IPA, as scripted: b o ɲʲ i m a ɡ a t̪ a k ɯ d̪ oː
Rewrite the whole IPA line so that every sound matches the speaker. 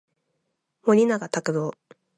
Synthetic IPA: m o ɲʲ i n a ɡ a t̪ a k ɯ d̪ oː